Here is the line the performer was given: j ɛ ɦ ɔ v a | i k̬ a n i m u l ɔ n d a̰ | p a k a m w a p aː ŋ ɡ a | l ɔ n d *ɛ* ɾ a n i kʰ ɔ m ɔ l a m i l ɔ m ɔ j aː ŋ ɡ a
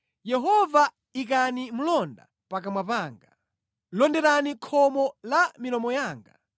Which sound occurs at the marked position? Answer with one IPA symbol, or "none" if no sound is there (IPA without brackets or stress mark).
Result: ɛ